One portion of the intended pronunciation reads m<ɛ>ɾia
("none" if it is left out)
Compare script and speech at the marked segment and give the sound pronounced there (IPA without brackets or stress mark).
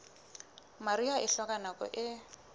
a